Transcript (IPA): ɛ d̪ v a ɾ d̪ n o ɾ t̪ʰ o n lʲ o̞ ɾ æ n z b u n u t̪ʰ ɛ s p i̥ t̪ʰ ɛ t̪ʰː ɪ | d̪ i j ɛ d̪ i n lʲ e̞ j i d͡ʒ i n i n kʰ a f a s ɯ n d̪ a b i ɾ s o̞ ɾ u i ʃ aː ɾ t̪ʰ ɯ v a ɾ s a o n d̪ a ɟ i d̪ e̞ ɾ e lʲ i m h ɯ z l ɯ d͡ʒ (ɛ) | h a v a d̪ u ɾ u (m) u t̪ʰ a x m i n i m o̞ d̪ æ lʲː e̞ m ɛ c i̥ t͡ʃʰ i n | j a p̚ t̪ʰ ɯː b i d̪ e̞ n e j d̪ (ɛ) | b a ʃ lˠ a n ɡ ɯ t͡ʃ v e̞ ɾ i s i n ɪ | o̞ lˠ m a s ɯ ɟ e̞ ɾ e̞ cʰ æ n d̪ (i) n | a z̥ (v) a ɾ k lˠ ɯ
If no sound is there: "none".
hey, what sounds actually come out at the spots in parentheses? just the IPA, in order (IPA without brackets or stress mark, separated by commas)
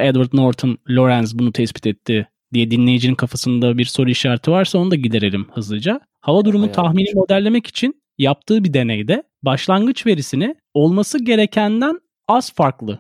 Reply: a, m, ɛ, æ, f